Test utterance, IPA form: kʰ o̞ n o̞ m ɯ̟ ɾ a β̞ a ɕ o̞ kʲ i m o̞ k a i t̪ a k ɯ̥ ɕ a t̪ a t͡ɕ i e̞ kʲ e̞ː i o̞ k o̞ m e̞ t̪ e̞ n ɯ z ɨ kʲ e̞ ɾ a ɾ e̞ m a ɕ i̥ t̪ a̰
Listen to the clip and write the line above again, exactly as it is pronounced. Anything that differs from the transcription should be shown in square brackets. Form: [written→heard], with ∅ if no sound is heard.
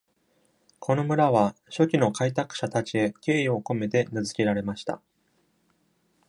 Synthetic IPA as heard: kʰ o̞ n o̞ m ɯ̟ ɾ a β̞ a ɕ o̞ kʲ i [m→n] o̞ k a i t̪ a k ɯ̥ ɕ a t̪ a t͡ɕ i e̞ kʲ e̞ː i o̞ k o̞ m e̞ t̪ e̞ n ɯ z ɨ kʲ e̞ ɾ a ɾ e̞ m a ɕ i̥ t̪ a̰

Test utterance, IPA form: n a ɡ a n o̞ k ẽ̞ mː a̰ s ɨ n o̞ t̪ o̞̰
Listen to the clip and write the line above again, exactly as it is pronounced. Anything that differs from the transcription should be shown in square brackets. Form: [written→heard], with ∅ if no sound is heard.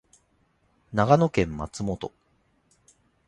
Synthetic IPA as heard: n a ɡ a n o̞ k ẽ̞ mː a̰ [s→t͡s] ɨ [n→m] o̞ t̪ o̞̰

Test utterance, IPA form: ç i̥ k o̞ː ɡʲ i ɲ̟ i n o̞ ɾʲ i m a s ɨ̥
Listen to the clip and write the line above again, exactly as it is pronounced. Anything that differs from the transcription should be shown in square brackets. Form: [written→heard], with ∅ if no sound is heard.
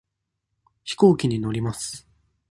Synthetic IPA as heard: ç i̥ k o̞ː [ɡʲ→kʲ] i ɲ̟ i n o̞ ɾʲ i m a s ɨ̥

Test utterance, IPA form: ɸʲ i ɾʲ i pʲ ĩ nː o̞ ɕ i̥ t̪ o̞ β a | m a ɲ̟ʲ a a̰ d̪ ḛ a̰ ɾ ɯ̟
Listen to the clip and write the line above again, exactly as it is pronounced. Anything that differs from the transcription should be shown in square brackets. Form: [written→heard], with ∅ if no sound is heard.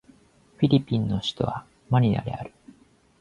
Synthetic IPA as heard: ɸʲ i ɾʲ i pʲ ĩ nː o̞ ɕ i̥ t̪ o̞ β a | m a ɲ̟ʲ [a→i] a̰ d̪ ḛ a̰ ɾ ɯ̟

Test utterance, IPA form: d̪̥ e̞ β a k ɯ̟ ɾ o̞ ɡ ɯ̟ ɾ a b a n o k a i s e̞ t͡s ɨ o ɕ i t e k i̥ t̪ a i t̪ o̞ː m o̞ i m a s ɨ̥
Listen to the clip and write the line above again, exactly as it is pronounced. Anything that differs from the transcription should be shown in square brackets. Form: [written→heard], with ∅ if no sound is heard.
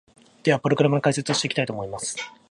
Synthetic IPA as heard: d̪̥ e̞ β a [k→p] ɯ̟ ɾ o̞ ɡ ɯ̟ ɾ a [b→m] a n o k a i s e̞ t͡s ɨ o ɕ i t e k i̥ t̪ a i t̪ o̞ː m o̞ i m a s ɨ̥

